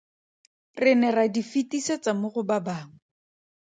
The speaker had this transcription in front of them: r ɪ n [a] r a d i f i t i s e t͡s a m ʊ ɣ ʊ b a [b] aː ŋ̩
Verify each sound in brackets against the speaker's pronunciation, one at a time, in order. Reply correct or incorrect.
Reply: incorrect: ɛ, correct

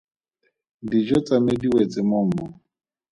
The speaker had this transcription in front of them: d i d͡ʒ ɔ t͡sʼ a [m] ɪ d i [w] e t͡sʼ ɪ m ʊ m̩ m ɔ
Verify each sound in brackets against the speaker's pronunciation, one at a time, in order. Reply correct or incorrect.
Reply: correct, correct

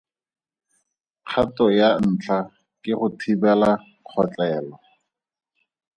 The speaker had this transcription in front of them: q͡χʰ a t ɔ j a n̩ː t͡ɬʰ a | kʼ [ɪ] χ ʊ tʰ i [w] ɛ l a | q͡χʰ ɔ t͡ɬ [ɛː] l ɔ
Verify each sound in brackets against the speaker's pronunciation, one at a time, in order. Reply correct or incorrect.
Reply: correct, incorrect: b, correct

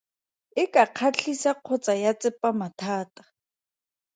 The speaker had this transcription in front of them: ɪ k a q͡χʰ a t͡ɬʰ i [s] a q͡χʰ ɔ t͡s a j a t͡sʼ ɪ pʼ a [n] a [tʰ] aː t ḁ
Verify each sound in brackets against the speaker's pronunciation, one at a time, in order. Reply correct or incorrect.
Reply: correct, incorrect: m, correct

